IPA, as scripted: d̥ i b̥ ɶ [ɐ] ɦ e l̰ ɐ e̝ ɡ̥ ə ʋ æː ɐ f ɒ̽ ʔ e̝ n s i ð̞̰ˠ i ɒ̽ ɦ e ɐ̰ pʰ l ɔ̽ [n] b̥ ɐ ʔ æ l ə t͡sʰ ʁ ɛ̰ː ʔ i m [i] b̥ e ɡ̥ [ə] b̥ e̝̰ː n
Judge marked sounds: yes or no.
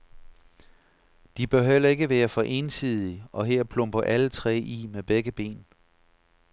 yes, no, no, yes

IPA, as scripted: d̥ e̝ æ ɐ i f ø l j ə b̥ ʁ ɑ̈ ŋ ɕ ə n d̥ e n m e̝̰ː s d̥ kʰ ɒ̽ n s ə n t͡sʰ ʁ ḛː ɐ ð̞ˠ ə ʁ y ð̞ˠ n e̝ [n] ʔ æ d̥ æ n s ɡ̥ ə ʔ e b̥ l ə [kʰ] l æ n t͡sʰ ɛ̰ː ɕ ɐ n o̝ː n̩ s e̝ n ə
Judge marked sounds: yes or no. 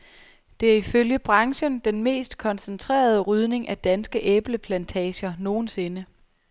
no, no

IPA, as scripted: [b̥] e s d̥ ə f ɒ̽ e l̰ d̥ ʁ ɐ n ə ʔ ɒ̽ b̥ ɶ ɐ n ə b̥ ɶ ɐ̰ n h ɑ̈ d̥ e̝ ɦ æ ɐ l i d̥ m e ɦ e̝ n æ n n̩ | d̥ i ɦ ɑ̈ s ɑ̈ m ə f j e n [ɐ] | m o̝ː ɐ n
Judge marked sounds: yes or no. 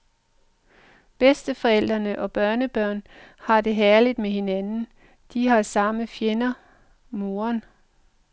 yes, yes

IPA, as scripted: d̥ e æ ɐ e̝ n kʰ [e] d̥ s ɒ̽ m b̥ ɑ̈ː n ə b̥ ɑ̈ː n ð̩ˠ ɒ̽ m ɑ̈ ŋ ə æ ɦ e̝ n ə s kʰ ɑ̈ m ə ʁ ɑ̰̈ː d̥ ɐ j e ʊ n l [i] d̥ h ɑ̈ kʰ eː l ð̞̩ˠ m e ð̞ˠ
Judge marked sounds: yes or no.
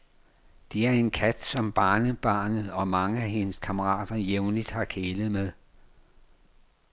no, yes

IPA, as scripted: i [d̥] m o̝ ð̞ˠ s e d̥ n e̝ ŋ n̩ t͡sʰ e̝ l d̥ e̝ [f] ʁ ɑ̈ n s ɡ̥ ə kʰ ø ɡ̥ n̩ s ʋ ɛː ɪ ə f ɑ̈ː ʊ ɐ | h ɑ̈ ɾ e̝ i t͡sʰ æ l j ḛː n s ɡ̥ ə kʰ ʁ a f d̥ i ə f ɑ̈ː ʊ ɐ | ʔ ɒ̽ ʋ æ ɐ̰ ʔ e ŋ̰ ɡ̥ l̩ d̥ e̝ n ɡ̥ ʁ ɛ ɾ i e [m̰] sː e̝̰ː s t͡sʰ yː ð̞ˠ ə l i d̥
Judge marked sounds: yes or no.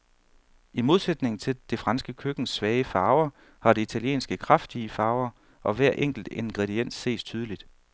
no, yes, no

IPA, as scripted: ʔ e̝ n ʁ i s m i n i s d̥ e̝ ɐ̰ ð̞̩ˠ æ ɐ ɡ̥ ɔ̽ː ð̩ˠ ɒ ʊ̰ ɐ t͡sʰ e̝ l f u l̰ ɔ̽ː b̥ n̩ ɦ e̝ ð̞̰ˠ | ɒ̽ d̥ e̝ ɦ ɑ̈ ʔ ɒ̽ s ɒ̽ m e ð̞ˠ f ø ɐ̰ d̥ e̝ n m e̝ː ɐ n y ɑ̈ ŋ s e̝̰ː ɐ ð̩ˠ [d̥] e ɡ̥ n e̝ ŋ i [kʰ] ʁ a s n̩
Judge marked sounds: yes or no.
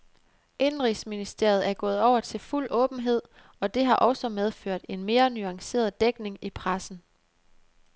yes, no

